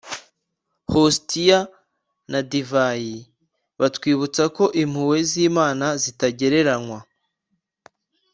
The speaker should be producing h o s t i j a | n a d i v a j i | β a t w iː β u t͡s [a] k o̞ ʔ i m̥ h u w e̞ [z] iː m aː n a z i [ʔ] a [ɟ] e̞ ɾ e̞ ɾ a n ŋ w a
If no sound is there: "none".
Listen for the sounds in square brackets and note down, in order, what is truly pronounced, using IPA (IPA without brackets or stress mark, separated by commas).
a, z, t, ɟ